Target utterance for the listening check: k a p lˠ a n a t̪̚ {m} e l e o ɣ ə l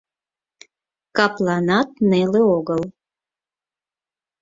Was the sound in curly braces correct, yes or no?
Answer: no